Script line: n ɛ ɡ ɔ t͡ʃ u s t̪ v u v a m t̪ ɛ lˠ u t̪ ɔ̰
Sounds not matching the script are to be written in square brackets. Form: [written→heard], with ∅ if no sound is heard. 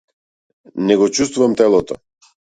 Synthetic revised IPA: n ɛ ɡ ɔ t͡ʃ u s t̪ v u v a m t̪ ɛ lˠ [u→ɔ] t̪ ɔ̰